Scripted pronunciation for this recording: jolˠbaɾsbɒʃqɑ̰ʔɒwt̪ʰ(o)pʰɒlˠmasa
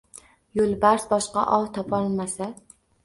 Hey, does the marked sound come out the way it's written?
no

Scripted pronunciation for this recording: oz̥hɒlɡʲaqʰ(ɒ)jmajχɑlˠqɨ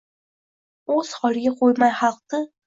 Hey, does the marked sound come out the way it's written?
no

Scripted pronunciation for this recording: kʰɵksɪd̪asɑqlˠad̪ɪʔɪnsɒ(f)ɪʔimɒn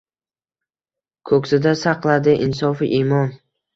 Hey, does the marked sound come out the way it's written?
yes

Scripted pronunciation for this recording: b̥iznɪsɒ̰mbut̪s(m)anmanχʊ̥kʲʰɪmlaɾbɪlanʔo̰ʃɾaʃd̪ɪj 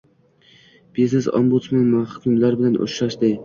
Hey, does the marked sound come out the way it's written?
yes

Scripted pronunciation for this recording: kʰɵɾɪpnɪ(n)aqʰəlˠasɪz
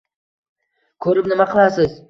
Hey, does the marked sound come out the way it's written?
no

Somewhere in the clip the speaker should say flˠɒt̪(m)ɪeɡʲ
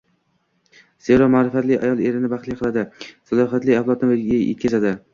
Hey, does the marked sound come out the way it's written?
no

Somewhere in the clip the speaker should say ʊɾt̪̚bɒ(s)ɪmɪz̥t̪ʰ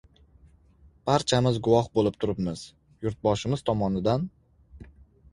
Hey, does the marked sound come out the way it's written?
no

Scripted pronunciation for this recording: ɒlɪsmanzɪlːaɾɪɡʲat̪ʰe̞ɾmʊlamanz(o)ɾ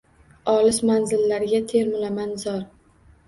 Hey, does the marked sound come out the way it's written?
no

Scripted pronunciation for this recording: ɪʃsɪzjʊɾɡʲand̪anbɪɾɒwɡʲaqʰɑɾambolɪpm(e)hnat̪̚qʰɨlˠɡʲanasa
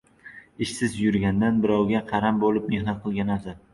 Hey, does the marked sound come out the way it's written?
yes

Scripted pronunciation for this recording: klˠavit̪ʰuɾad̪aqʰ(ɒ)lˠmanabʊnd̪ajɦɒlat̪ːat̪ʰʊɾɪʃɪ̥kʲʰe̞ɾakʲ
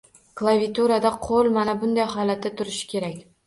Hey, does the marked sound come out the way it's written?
no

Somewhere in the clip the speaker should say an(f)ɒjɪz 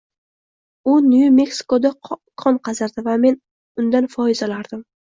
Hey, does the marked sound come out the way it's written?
yes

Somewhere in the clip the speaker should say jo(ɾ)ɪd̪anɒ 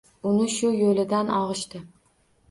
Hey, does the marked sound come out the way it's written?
no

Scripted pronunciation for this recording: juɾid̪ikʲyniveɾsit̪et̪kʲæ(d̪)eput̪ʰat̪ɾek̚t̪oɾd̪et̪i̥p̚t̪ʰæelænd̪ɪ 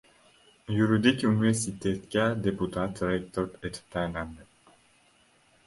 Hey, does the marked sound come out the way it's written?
yes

